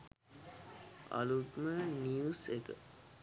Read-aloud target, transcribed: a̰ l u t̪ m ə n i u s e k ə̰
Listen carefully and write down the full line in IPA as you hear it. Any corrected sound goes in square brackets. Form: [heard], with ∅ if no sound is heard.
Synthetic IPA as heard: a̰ l u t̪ m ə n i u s e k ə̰